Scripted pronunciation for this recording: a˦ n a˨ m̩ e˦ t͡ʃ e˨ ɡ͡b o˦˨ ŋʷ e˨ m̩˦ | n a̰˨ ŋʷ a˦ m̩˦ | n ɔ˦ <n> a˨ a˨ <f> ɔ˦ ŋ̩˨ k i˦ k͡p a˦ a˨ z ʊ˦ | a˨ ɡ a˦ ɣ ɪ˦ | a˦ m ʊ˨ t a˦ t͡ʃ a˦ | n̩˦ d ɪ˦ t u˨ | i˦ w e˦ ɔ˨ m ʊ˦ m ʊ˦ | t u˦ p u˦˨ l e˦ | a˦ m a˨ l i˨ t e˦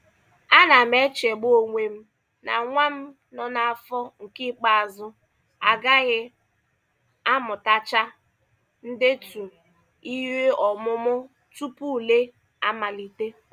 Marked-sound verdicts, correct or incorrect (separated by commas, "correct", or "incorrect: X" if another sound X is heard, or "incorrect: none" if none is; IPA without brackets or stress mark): correct, correct